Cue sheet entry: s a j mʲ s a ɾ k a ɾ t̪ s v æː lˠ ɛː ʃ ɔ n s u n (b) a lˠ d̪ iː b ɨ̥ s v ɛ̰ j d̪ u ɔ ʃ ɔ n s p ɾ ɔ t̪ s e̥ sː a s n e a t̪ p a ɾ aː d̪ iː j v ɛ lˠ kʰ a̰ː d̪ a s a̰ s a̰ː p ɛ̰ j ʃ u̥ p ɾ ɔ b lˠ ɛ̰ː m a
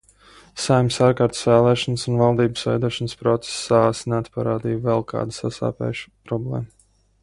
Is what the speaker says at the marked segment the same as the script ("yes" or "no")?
no